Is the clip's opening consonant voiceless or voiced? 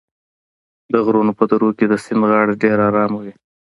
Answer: voiced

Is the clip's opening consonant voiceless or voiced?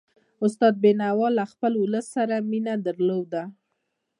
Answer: voiceless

